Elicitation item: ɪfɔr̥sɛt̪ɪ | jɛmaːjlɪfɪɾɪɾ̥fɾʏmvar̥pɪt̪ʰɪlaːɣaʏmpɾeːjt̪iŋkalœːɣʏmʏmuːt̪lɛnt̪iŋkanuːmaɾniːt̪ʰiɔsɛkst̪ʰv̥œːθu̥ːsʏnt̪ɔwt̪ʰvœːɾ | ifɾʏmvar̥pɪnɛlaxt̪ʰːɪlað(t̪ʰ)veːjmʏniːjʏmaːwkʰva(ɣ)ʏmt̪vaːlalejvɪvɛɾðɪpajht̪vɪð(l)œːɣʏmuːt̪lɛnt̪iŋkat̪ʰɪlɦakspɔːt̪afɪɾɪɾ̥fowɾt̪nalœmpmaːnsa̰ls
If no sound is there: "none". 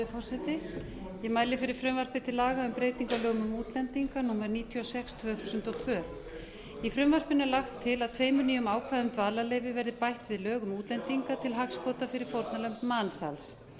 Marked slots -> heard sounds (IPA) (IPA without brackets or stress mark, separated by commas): t̪ʰ, ð, l